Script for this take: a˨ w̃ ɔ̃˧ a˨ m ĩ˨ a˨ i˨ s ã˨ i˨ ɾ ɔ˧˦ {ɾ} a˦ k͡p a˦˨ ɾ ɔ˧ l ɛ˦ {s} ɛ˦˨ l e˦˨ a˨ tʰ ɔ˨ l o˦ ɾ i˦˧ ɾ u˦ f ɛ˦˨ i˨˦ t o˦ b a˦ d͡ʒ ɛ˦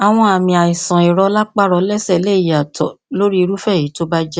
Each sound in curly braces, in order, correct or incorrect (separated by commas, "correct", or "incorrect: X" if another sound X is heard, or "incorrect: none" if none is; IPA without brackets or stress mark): incorrect: l, correct